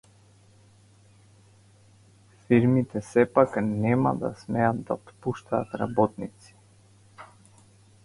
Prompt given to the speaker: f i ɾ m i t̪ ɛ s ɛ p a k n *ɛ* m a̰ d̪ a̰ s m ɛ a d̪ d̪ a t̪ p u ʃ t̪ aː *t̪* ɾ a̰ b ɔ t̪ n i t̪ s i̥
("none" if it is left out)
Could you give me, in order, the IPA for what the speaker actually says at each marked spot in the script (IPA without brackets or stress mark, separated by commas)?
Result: ɛ, t̪